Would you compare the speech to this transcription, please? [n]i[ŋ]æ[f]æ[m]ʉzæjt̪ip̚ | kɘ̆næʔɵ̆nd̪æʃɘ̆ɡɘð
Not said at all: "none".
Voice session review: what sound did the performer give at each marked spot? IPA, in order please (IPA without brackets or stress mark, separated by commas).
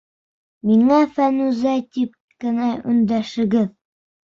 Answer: m, ŋ, f, n